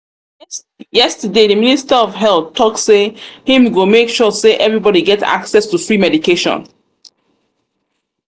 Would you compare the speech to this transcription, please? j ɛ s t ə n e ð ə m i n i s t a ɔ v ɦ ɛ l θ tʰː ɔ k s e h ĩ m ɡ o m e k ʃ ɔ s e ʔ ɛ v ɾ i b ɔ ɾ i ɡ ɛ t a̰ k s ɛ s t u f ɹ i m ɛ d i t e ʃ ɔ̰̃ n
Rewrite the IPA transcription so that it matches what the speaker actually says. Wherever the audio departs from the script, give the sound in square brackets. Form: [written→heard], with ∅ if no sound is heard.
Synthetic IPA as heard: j ɛ s t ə [n→d] e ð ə m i n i s t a ɔ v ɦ ɛ l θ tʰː ɔ k s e h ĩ m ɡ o m e k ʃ ɔ s e ʔ ɛ v [ɾ→ɹ] i b ɔ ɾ i ɡ ɛ t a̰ k s ɛ s t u f ɹ i m ɛ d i [t→k] e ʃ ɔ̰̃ n